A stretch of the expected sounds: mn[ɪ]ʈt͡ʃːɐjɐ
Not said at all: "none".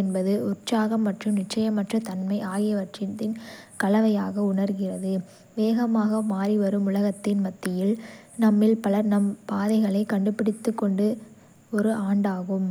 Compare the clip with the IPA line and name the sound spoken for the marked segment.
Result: ɪ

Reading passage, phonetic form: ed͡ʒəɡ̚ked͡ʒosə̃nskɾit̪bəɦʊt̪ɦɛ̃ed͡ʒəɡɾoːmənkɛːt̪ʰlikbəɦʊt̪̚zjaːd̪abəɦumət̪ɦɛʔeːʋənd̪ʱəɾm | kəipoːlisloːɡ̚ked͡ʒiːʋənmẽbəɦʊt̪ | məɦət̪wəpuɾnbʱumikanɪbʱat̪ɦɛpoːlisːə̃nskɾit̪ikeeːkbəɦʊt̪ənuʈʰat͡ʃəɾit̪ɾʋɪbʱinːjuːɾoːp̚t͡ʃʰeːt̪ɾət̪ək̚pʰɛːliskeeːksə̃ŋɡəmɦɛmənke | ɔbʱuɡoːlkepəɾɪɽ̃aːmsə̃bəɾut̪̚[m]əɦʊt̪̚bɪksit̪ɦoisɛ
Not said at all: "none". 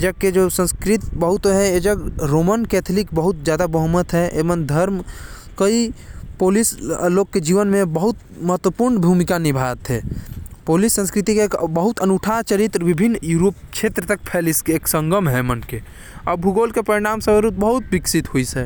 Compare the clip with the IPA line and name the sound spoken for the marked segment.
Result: b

